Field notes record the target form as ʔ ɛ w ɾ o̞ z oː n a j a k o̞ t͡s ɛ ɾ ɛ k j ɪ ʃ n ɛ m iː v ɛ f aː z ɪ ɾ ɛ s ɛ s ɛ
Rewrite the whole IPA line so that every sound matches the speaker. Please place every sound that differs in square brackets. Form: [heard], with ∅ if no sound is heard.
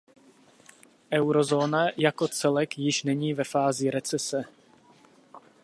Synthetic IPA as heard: ʔ ɛ w ɾ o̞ z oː n a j a k o̞ t͡s ɛ [l] ɛ k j ɪ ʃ n ɛ [ɲ] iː v ɛ f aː z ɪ ɾ ɛ [t͡s] ɛ s ɛ